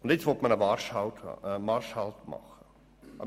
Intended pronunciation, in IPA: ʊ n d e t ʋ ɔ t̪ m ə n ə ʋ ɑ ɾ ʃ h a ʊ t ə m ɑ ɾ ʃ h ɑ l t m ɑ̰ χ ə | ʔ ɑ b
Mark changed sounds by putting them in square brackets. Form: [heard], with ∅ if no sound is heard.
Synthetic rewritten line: ʊ n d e [t͡s] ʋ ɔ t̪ m ə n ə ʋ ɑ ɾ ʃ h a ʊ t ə m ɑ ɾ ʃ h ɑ l t m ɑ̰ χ ə | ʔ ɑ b